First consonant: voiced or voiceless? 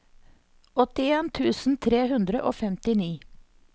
voiceless